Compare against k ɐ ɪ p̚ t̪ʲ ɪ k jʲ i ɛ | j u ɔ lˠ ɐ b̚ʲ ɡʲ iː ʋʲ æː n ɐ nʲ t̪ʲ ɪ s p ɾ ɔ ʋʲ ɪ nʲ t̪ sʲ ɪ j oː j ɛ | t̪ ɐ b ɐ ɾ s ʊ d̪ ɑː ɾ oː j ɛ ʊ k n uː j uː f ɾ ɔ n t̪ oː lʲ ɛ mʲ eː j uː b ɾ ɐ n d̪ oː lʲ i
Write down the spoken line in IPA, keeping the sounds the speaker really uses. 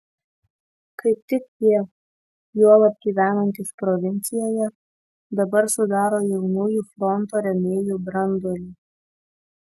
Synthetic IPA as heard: k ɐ ɪ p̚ t̪ʲ ɪ k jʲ i ɛ | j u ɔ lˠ ɐ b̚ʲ ɡʲ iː ʋʲ æː n ɐ nʲ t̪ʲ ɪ s p ɾ ɔ ʋʲ ɪ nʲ t̪ sʲ ɪ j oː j ɛ | d̪ ɐ b ɐ ɾ s ʊ d̪ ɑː ɾ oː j ɛ ʊ n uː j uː f ɾ ɔ n t̪ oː ɾʲ ɛ mʲ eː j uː b ɾ ɐ n d̪ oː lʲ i